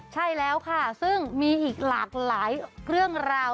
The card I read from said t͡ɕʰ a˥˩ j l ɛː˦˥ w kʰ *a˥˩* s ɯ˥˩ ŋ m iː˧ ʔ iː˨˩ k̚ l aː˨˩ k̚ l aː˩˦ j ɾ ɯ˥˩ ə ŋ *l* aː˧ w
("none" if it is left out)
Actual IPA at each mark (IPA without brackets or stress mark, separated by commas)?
a˥˩, ɾ